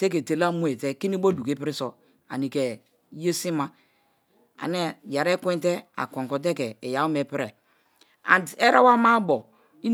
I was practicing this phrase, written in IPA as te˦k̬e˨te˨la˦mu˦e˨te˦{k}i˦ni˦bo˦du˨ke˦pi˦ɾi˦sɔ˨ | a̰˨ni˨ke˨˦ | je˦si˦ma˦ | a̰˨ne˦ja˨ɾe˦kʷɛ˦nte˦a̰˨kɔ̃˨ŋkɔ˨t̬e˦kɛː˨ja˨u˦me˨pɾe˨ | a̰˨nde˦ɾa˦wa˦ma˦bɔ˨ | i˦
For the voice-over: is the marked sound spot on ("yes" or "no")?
yes